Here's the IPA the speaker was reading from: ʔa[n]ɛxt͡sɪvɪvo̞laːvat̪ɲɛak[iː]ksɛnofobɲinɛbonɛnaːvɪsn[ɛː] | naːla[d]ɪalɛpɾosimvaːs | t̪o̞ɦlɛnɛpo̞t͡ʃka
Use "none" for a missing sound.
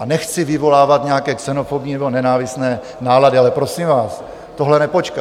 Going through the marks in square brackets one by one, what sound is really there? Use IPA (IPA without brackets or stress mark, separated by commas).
n, ɛː, ɛː, d